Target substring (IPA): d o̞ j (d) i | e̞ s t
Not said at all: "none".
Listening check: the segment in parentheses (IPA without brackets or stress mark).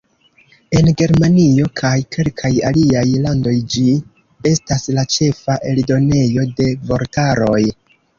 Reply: d͡ʒ